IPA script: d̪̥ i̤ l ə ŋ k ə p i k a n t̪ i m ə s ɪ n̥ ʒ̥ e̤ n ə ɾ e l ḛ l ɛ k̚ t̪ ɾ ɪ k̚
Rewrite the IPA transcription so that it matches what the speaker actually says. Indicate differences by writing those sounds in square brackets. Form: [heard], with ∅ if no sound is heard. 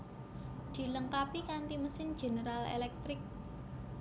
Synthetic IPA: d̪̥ i̤ l ə ŋ k [a] p i k a n t̪ i m ə s ɪ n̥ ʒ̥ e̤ n ə ɾ [a] l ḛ l ɛ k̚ t̪ ɾ ɪ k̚